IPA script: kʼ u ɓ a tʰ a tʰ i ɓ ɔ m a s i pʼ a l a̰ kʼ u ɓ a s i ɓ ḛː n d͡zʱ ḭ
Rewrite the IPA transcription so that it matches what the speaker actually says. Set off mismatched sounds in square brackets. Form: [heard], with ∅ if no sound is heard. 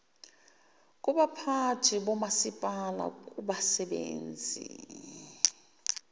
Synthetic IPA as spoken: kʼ u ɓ a [pʰ] a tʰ i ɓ ɔ m a s i pʼ a l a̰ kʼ u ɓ a s [ɛ] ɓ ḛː n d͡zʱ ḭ